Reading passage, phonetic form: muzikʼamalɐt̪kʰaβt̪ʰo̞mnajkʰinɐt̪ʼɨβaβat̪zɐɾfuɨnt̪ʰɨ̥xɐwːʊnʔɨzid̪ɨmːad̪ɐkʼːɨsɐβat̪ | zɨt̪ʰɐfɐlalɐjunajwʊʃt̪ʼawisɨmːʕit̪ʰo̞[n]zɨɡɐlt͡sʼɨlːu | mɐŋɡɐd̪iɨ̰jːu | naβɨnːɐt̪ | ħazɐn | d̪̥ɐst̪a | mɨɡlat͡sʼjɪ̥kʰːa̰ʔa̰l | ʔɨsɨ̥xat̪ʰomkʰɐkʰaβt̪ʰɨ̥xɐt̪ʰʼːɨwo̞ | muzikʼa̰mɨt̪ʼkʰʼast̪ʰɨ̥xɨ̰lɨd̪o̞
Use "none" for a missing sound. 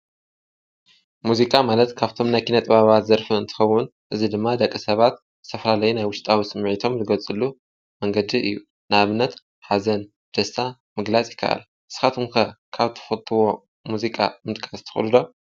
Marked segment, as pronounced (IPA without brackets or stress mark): m